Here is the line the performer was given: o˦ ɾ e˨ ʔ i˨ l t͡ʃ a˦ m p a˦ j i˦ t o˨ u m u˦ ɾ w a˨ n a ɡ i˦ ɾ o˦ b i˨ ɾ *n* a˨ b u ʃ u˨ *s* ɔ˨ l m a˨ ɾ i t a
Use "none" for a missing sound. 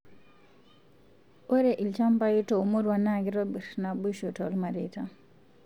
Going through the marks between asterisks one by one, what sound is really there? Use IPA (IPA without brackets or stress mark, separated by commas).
n, t